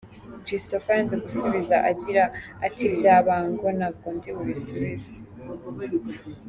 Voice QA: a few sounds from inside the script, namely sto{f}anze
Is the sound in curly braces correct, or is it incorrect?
correct